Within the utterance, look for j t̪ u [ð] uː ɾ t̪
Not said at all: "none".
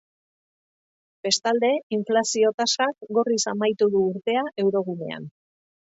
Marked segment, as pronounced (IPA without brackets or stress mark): ð